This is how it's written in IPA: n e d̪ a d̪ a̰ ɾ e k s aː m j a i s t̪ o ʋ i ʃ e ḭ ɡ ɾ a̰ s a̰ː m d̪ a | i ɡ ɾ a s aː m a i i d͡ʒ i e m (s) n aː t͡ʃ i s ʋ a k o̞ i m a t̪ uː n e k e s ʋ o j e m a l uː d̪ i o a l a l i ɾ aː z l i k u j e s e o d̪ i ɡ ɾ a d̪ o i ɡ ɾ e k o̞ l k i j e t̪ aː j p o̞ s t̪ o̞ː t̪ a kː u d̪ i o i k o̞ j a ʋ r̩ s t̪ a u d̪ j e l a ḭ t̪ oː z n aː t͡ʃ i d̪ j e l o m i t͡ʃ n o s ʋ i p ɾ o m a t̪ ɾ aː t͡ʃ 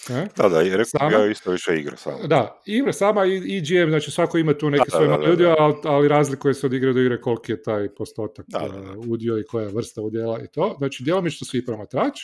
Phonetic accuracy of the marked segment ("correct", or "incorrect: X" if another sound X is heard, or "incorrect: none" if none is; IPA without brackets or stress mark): incorrect: z